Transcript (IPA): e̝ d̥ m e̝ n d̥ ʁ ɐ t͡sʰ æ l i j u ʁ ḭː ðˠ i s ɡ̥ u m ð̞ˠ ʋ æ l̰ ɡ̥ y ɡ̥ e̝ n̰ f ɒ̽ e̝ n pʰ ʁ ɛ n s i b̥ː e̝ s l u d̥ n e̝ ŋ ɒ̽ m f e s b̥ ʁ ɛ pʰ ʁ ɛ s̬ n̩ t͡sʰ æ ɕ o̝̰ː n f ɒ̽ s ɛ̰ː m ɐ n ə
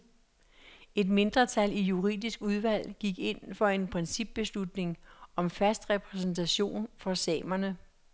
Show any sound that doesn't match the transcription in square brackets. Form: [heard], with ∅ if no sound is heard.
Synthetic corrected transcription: e̝ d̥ m e̝ n d̥ ʁ ɐ t͡sʰ æ l i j u ʁ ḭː ðˠ i s ɡ̥ u [∅] ð̞ˠ ʋ æ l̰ ɡ̥ [i] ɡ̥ e̝ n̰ f ɒ̽ e̝ n pʰ ʁ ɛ n s i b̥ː e̝ s l u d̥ n e̝ ŋ ɒ̽ m f [æ] s [d̥] ʁ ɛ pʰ ʁ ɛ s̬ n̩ t͡sʰ æ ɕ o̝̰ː n f ɒ̽ s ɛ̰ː m ɐ n ə